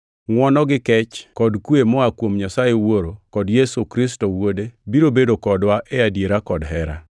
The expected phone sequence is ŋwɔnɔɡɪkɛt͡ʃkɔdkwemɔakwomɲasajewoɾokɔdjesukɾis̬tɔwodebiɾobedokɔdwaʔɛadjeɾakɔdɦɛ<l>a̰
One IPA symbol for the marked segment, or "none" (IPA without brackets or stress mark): ɾ